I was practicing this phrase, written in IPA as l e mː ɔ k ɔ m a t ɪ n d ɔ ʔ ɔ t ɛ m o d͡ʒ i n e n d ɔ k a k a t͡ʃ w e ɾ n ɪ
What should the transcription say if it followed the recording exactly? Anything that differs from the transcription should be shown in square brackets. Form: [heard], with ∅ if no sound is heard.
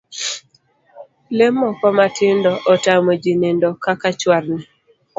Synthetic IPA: l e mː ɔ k ɔ m a t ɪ n d ɔ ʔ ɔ t [a] m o d͡ʒ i n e n d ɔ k a k a t͡ʃ w [a] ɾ n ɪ